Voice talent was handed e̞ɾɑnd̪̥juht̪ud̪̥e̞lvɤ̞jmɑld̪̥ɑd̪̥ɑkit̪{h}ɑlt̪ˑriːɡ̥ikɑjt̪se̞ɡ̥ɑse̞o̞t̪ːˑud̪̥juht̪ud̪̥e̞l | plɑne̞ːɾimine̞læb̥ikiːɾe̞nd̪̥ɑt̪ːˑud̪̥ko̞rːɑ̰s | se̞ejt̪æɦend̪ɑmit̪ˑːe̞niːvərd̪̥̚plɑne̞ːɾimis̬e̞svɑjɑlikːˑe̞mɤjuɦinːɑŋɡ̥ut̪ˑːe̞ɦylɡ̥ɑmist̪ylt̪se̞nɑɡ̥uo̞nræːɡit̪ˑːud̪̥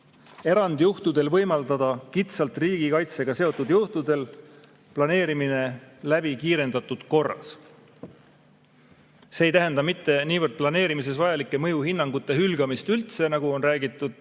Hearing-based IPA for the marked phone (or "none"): s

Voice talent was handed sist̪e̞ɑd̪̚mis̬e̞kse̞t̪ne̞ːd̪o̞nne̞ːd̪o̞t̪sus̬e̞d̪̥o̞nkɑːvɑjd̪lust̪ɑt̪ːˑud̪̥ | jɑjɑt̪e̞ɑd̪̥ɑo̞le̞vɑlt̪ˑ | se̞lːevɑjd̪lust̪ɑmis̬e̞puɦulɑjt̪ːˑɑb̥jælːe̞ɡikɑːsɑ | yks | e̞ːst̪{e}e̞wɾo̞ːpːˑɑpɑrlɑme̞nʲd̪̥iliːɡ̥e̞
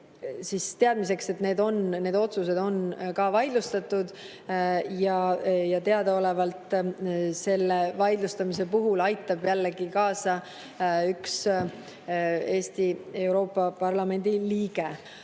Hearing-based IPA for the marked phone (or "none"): i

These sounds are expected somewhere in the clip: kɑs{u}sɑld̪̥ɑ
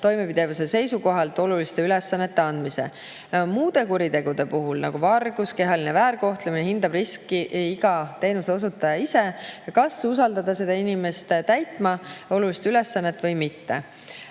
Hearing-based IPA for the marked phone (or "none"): u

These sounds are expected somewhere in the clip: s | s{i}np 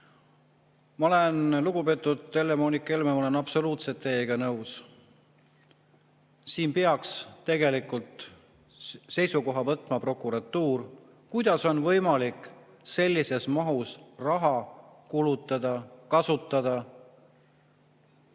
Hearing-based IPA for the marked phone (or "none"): iː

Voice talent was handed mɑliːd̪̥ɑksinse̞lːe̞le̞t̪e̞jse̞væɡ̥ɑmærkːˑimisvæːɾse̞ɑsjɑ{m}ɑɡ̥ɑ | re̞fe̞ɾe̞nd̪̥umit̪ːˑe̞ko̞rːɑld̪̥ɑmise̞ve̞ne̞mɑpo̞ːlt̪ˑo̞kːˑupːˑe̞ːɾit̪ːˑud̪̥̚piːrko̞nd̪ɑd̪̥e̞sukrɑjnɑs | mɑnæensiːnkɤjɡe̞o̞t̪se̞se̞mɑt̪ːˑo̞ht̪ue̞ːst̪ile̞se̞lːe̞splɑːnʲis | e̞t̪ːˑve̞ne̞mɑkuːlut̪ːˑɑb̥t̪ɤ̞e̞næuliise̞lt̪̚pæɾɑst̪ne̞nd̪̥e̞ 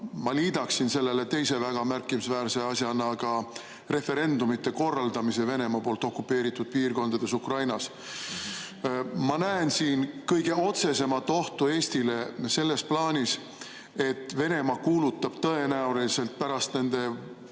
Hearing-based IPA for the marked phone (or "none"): n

